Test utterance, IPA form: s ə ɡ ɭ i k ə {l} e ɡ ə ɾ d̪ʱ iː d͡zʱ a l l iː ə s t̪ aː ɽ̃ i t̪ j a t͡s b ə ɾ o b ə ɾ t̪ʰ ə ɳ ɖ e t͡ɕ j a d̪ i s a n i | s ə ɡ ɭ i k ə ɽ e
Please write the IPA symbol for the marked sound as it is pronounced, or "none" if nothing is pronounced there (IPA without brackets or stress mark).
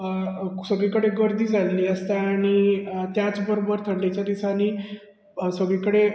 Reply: ɽ